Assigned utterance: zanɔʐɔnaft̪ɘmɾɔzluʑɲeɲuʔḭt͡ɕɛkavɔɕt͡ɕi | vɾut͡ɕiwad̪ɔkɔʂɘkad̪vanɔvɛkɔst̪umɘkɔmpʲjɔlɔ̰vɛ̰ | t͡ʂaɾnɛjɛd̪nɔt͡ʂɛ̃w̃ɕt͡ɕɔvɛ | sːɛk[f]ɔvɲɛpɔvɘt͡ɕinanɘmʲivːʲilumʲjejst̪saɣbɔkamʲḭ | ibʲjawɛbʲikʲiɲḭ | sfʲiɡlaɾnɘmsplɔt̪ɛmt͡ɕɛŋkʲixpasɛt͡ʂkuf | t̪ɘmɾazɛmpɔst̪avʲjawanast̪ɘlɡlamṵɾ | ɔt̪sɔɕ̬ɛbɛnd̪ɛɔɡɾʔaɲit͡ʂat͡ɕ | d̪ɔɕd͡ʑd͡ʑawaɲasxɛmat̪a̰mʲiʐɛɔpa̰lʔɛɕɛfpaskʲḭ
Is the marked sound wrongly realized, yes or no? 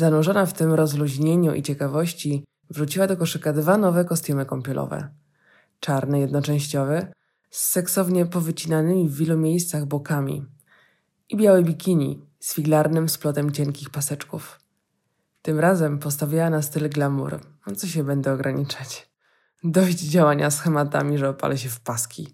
yes